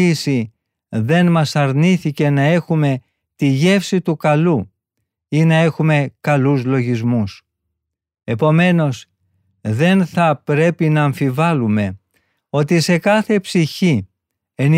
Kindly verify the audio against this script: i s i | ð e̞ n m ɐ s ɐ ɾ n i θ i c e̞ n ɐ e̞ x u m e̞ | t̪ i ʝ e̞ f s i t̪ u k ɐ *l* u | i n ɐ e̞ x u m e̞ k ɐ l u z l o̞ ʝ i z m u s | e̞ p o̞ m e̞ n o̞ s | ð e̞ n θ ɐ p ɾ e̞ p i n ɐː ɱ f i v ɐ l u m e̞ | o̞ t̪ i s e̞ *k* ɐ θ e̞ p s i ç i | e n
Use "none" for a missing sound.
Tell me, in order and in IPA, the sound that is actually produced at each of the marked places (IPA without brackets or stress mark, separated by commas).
l, k